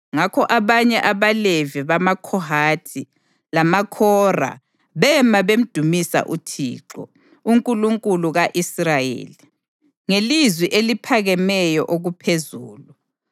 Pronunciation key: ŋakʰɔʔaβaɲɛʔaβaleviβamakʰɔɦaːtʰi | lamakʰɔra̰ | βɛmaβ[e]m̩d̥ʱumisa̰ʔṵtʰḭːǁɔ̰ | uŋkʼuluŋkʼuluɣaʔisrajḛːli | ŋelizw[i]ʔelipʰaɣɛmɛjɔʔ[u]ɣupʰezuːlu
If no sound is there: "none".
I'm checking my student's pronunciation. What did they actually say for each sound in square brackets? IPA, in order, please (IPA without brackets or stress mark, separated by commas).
e, i, o